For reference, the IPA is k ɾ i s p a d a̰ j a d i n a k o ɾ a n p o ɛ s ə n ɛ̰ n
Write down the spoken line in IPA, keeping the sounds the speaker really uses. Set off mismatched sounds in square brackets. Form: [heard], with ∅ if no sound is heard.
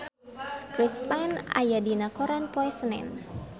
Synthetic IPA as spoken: k ɾ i s p a [n] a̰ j a d i n a k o ɾ a n p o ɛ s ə n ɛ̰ n